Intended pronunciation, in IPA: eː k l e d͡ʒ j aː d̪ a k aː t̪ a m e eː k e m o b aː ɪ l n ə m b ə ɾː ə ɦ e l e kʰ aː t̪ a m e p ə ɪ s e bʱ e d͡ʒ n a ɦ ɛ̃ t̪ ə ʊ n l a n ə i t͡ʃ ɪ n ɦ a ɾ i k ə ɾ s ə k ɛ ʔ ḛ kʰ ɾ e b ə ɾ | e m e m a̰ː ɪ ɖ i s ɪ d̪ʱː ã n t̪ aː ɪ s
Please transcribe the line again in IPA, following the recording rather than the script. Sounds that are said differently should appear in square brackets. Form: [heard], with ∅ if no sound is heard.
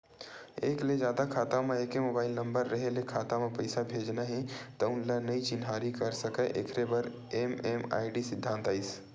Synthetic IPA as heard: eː k l e d͡ʒ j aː d̪ a [kʰ] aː t̪ a m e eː k e m o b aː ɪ l n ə m b ə ɾː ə ɦ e l e kʰ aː t̪ a m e p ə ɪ s [a] bʱ e d͡ʒ n a ɦ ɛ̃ t̪ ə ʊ n l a n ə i t͡ʃ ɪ n ɦ a ɾ i k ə ɾ s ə k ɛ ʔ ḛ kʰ ɾ e b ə ɾ | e m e m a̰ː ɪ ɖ i s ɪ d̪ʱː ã n t̪ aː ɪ s